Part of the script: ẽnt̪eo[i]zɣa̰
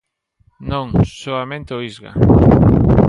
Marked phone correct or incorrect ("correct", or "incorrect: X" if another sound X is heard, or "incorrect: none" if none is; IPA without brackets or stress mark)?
correct